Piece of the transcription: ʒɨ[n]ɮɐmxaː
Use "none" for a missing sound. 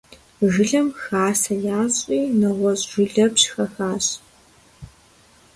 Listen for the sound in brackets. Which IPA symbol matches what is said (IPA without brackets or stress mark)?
none